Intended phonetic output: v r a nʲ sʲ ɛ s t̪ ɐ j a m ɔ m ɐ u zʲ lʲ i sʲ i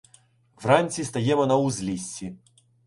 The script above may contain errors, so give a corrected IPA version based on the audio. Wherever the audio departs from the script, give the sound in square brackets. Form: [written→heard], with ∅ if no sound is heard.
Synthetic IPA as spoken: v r a nʲ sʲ [ɛ→i] s t̪ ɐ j [a→ɛ] m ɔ [m→n] ɐ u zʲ lʲ i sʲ i